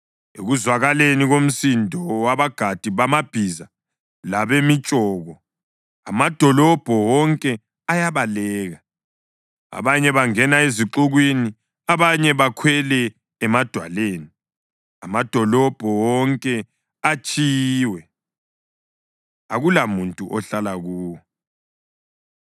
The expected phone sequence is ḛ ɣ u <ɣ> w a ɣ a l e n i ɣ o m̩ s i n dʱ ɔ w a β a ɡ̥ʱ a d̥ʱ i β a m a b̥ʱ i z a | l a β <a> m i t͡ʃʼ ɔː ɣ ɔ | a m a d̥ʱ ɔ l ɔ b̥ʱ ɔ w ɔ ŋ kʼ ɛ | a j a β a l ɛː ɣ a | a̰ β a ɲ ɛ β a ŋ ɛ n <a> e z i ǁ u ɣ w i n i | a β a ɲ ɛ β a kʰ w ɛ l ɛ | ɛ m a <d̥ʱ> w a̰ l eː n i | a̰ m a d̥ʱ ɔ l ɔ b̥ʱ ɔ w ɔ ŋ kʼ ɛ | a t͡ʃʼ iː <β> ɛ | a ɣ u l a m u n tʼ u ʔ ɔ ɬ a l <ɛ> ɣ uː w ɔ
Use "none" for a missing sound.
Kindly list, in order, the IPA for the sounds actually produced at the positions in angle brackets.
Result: z, e, a, d̥ʱ, w, a

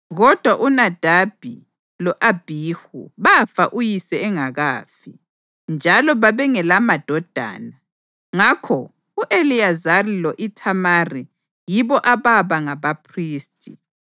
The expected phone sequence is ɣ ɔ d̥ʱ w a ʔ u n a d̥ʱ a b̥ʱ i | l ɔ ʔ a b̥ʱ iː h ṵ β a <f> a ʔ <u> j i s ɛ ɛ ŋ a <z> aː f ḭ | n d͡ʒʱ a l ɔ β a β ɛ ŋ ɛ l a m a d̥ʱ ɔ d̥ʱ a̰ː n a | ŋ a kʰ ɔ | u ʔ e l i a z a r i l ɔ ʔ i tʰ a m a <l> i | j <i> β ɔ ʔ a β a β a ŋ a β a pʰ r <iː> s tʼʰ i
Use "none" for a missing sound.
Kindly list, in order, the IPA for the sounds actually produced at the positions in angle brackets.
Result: f, u, ɣ, r, i, iː

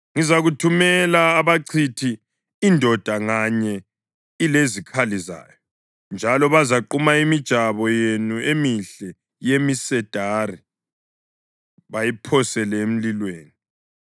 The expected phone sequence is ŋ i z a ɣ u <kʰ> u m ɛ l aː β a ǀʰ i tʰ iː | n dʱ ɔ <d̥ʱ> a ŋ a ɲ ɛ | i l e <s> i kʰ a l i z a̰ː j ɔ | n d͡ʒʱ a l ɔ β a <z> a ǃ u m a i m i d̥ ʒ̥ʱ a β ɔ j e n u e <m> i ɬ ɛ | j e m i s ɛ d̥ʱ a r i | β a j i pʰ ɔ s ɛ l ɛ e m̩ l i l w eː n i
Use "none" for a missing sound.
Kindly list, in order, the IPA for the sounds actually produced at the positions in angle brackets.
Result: tʰ, d̥ʱ, z, z, m

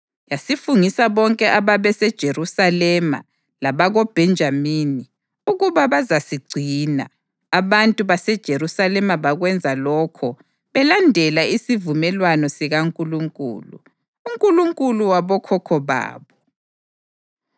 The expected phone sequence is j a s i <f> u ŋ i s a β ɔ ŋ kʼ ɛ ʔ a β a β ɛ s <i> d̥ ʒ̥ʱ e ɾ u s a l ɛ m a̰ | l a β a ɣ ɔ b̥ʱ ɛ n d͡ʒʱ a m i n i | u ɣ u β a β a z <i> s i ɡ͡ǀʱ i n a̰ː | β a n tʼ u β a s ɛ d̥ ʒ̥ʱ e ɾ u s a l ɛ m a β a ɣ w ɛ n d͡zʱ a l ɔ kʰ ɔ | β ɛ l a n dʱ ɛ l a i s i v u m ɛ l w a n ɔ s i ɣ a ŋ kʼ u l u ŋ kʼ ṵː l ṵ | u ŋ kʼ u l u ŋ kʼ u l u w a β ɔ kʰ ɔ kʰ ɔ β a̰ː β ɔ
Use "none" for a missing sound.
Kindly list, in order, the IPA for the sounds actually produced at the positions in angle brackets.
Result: f, ɛ, a

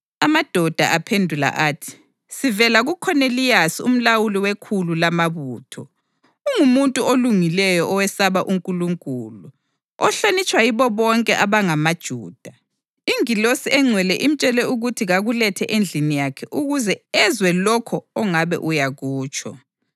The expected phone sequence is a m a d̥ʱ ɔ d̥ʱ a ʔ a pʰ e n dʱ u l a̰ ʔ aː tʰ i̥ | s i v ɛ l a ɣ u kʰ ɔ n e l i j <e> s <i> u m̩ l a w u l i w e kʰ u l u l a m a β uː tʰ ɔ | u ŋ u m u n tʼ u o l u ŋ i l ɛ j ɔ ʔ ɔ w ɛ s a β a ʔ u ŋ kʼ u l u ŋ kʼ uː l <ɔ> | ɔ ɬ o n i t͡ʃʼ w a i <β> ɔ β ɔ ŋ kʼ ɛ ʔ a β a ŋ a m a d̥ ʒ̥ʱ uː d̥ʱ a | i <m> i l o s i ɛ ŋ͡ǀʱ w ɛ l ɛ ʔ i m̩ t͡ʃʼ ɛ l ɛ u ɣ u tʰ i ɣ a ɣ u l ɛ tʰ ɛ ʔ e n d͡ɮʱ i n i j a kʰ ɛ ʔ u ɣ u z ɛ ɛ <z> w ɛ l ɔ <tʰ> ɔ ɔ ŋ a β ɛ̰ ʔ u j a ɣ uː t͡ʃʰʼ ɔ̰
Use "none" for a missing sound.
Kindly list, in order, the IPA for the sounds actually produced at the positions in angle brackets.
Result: a, i, u, β, ŋ, z, kʰ

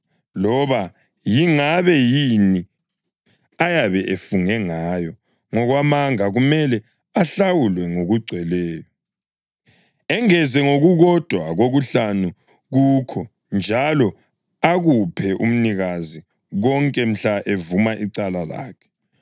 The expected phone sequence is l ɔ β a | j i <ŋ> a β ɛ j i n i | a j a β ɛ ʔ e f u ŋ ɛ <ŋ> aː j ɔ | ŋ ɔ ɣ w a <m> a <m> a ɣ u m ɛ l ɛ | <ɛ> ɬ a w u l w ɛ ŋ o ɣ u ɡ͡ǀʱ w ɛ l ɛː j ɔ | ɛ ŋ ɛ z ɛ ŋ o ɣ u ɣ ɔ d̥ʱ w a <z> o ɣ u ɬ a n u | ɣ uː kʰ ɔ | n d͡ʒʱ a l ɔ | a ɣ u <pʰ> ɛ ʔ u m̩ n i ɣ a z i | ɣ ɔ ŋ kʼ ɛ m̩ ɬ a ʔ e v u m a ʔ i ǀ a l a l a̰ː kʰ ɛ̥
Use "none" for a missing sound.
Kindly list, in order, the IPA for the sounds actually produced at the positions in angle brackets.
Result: ŋ, ŋ, m, ŋ, a, ɣ, pʰ

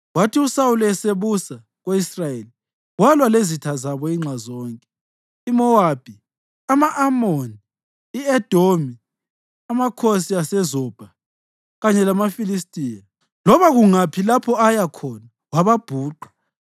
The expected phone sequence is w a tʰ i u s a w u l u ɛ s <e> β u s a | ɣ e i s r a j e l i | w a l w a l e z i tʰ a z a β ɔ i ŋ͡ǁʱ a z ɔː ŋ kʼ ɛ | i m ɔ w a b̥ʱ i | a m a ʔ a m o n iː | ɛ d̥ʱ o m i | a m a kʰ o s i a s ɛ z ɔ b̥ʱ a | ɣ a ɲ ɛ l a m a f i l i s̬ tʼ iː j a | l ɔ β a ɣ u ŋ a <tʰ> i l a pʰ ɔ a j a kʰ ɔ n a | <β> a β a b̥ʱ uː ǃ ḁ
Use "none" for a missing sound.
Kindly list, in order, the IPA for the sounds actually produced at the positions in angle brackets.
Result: e, pʰ, w

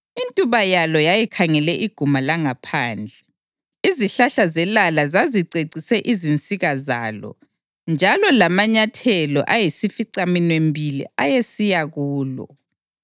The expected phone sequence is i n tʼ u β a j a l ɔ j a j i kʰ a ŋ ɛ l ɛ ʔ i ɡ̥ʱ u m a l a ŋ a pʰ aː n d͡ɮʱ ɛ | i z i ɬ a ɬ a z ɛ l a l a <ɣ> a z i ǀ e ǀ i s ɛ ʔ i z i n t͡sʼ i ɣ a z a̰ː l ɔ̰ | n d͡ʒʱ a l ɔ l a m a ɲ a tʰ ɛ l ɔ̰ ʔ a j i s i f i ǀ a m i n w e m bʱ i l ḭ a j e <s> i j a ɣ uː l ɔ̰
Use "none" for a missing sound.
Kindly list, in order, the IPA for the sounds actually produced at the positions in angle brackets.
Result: z, s

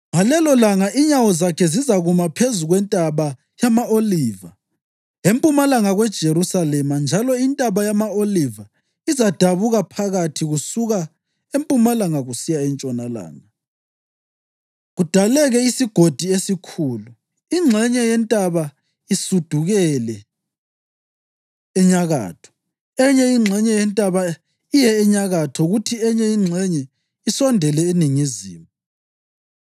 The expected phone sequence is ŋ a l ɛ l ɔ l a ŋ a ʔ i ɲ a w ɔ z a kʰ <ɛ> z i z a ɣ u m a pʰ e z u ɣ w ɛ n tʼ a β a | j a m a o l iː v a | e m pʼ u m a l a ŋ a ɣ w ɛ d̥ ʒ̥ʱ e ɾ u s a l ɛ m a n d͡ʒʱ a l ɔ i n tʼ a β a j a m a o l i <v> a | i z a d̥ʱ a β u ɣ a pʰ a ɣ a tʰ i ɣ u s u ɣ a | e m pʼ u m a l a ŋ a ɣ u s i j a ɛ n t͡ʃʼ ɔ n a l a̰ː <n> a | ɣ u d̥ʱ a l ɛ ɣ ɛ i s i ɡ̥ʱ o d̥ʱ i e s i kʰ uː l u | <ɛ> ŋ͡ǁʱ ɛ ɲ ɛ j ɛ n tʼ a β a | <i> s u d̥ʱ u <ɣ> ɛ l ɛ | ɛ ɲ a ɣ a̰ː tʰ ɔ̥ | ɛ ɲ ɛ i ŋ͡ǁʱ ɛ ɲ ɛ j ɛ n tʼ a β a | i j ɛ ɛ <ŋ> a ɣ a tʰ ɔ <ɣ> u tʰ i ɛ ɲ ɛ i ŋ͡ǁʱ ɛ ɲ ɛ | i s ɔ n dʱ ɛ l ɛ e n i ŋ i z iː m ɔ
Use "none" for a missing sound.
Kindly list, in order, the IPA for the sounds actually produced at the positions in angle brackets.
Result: ɛ, v, ŋ, i, i, ɣ, ɲ, ɣ

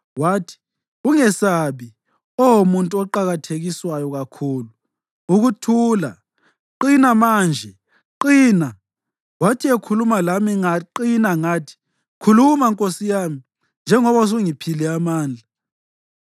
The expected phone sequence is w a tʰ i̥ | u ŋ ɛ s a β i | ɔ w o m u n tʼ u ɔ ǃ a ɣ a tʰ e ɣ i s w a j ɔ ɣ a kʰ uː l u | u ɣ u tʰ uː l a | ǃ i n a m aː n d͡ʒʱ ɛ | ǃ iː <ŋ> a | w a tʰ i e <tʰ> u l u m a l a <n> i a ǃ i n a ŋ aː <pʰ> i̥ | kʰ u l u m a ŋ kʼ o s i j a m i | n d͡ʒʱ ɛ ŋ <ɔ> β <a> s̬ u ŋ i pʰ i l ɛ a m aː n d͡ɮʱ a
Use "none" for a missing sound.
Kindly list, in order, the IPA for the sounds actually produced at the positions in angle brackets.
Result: n, kʰ, m, tʰ, ɔ, a

